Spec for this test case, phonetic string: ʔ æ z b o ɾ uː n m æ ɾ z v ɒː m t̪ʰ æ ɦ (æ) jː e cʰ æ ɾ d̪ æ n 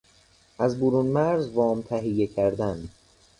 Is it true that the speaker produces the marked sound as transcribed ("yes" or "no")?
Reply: no